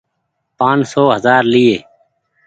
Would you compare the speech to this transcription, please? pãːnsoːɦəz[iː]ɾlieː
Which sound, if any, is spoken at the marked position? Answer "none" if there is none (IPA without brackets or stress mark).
aː